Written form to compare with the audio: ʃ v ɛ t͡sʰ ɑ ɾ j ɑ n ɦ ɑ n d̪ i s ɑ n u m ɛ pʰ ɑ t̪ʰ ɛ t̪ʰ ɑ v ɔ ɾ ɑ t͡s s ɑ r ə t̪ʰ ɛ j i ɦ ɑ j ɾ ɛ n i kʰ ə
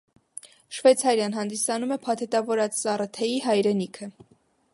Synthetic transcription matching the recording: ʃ v ɛ t͡sʰ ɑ ɾ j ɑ n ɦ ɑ n d̪ i s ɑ n u m ɛ pʰ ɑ t̪ʰ ɛ t̪ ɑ v ɔ ɾ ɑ t͡s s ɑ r ə t̪ʰ ɛ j i ɦ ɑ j ɾ ɛ n i kʰ ə